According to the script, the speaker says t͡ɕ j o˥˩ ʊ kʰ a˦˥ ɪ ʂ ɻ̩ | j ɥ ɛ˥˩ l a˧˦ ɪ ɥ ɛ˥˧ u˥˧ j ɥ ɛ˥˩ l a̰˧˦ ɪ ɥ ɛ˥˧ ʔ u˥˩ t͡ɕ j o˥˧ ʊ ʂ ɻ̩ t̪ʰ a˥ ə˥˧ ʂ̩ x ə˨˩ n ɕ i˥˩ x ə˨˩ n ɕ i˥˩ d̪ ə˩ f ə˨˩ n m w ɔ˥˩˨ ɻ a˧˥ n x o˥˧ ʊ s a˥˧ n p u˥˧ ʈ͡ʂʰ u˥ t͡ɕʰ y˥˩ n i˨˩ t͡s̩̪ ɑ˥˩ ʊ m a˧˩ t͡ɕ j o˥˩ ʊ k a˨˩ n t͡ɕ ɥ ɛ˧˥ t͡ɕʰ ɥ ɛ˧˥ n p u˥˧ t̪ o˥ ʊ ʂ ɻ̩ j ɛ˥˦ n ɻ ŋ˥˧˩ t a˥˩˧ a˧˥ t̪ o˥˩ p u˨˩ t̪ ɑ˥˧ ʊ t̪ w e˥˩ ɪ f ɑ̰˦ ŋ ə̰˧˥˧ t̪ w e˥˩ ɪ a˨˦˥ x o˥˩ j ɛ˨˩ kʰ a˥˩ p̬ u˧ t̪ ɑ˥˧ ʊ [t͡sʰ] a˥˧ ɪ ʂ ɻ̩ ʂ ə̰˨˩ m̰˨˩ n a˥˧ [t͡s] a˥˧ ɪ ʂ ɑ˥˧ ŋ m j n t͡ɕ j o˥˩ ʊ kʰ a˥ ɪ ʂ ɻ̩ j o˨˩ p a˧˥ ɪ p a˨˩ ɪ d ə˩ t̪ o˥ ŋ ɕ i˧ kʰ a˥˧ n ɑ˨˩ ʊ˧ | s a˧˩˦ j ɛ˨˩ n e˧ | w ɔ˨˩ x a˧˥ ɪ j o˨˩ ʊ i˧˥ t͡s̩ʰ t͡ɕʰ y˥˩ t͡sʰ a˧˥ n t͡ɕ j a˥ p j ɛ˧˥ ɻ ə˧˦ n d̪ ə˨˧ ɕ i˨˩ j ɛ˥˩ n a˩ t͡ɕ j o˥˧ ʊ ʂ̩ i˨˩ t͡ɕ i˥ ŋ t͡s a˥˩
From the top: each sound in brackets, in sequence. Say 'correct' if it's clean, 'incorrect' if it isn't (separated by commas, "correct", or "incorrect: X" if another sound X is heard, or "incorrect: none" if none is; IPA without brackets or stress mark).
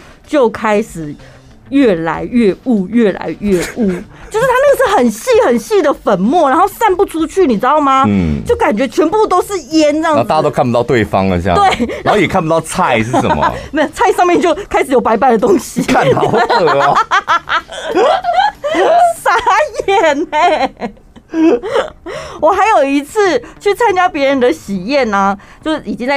correct, incorrect: t͡sʰ